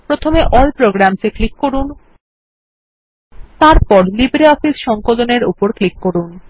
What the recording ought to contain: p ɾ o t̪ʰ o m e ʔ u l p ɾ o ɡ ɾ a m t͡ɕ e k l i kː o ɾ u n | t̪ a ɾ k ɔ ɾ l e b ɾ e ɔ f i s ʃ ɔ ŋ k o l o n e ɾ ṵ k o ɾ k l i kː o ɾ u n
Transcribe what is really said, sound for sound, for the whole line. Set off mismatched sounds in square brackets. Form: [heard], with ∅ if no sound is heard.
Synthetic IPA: p ɾ o t̪ʰ o m e ʔ [ɔ] l p ɾ o ɡ ɾ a m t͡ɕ e k l i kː o ɾ u n | t̪ a ɾ [p] ɔ ɾ l [i] b ɾ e ɔ f i s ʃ ɔ ŋ k o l o n e ɾ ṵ [p] o ɾ k l i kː o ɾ u n